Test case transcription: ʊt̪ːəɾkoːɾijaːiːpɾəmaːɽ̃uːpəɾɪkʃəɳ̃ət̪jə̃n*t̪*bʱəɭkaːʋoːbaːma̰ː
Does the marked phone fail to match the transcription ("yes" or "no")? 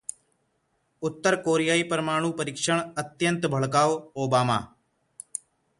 no